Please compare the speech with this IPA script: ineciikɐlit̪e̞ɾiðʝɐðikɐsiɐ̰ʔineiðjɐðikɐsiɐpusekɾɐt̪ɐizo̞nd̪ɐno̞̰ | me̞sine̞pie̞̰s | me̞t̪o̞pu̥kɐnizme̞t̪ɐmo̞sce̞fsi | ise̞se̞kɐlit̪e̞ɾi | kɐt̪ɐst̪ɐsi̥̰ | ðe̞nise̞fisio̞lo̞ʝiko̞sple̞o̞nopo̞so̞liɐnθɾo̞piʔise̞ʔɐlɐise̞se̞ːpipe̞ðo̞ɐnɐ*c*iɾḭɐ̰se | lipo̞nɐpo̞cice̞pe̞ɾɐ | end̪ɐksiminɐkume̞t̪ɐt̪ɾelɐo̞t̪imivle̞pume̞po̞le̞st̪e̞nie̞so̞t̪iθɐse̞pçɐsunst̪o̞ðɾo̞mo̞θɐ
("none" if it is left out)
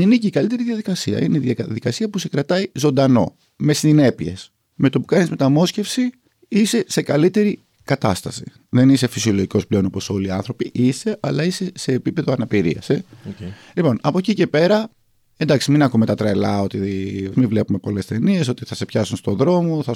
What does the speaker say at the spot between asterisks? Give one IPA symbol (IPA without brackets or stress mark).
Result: p